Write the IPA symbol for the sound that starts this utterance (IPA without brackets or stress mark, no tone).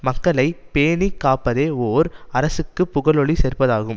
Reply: m